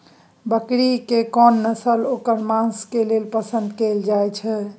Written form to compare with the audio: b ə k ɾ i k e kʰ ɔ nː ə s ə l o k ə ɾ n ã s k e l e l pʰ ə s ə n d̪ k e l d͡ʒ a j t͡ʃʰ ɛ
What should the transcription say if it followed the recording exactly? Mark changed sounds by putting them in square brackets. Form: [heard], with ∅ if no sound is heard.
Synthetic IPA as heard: b ə k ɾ i k e [k] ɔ nː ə s ə l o k ə ɾ [m] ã s k e l e l [p] ə s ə n d̪ k e l d͡ʒ a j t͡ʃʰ ɛ